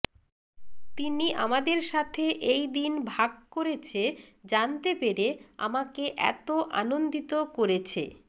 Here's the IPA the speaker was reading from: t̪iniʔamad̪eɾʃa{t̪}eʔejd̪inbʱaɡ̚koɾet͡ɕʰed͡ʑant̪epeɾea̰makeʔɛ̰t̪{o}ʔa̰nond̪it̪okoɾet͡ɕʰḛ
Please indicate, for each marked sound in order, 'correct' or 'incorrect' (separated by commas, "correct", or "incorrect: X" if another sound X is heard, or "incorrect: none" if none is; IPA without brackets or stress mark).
incorrect: t̪ʰ, correct